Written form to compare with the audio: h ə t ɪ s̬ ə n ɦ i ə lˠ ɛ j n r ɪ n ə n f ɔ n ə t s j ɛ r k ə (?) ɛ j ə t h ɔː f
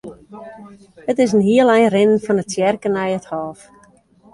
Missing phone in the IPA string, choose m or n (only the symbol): n